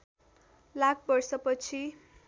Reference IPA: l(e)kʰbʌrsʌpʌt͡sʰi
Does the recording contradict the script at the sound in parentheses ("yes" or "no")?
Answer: yes